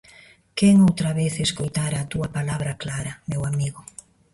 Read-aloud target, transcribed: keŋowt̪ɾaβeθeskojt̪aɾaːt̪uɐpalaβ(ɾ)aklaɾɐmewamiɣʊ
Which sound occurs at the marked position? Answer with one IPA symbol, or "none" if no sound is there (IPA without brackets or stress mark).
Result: ɾ